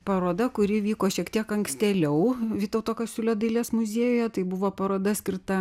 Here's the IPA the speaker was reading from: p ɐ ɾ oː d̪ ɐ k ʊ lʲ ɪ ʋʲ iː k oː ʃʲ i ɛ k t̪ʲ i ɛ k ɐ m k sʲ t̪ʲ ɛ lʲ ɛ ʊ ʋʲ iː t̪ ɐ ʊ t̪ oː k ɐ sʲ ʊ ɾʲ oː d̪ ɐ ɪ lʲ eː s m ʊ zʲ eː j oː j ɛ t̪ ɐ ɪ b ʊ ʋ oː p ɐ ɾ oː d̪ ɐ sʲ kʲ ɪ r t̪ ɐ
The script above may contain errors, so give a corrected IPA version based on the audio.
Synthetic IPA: p ɐ ɾ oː d̪ ɐ k ʊ ɾʲ ɪ ʋʲ iː k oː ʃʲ i ɛ k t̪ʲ i ɛ k ɐ ŋ k sʲ t̪ʲ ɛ lʲ ɛ ʊ ʋʲ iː t̪ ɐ ʊ t̪ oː k ɐ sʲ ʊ lʲ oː d̪ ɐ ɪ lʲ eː s m ʊ zʲ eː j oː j ɛ t̪ ɐ ɪ b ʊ ʋ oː p ɐ ɾ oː d̪ ɐ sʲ kʲ ɪ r t̪ ɐ

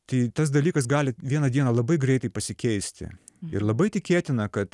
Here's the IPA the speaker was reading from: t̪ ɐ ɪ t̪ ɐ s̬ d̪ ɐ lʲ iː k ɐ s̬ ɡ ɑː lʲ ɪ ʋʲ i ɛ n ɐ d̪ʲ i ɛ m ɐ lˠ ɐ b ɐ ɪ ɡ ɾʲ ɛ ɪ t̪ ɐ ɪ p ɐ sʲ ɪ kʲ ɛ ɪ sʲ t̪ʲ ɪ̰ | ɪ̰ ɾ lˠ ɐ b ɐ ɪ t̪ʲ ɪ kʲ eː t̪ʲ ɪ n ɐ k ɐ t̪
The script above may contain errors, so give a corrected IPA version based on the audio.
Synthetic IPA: t̪ ɐ ɪ t̪ ɐ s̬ d̪ ɐ lʲ iː k ɐ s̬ ɡ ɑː lʲ ɪ ʋʲ i ɛ n ɐ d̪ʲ i ɛ n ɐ lˠ ɐ b ɐ ɪ ɡ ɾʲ ɛ ɪ t̪ ɐ ɪ p ɐ sʲ ɪ kʲ ɛ ɪ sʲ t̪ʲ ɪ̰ | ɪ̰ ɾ lˠ ɐ b ɐ ɪ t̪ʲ ɪ kʲ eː t̪ʲ ɪ n ɐ k ɐ t̪

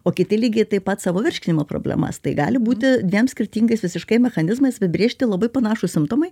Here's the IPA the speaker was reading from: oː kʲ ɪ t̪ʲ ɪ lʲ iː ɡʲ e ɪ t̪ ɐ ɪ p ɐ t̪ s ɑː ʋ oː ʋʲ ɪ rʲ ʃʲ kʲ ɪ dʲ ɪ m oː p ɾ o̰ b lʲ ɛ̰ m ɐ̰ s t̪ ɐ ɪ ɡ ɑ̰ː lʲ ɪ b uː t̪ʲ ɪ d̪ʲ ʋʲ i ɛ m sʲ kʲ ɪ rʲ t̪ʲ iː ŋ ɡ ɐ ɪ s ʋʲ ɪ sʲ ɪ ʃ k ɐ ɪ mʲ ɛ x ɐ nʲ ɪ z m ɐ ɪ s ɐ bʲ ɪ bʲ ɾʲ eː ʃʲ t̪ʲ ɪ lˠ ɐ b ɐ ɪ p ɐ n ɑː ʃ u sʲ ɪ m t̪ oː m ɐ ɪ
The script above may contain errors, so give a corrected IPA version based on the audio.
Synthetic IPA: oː kʲ ɪ t̪ʲ ɪ lʲ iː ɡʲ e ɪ t̪ ɐ ɪ p ɐ t̪ s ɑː ʋ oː ʋʲ ɪ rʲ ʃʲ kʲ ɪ nʲ ɪ m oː p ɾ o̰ b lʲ ɛ̰ m ɐ̰ s t̪ ɐ ɪ ɡ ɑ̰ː lʲ ɪ b uː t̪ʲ ɪ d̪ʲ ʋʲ i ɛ m sʲ kʲ ɪ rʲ t̪ʲ iː ŋ ɡ ɐ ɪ s ʋʲ ɪ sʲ ɪ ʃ k ɐ ɪ mʲ ɛ x ɐ nʲ ɪ z m ɐ ɪ s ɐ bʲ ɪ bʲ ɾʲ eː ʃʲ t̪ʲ ɪ lˠ ɐ b ɐ ɪ p ɐ n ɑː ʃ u sʲ ɪ m t̪ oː m ɐ ɪ

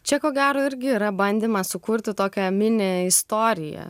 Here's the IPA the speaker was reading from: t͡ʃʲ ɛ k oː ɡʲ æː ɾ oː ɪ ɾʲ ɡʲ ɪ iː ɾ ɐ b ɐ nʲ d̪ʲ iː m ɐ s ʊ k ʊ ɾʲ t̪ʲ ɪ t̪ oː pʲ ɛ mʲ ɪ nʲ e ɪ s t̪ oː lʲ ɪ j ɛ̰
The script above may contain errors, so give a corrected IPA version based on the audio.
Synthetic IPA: t͡ʃʲ ɛ k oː ɡʲ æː ɾ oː ɪ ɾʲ ɡʲ ɪ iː ɾ ɐ b ɐ nʲ d̪ʲ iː m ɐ s ʊ k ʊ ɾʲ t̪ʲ ɪ t̪ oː kʲ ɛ mʲ ɪ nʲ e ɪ s t̪ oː ɾʲ ɪ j ɛ̰

